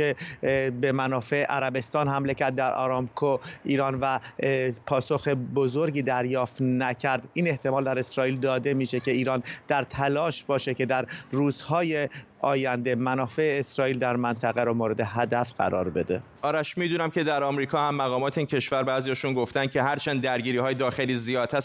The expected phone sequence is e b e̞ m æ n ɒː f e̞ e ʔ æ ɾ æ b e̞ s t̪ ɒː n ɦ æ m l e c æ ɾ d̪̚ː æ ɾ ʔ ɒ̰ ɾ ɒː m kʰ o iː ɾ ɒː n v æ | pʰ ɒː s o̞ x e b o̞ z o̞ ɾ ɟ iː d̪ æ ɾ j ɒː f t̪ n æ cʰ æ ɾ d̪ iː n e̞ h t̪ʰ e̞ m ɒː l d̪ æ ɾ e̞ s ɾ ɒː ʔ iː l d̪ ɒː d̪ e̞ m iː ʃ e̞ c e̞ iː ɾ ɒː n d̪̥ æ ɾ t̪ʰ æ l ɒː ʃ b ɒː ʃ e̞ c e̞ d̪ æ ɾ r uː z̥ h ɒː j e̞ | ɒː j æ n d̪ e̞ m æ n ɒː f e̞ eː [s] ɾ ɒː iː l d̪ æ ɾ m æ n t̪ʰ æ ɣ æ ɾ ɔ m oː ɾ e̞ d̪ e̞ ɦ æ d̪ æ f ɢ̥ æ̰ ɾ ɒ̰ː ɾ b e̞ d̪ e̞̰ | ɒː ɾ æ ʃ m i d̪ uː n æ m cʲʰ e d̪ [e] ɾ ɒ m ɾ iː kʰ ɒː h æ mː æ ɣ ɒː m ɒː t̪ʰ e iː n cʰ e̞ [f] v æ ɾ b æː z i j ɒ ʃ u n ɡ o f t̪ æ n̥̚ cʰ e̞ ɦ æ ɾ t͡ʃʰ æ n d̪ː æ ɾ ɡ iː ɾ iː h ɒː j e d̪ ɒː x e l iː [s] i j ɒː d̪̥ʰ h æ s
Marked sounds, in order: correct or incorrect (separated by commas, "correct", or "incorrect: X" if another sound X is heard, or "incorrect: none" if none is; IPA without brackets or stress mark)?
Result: correct, incorrect: æ, incorrect: ʃ, incorrect: z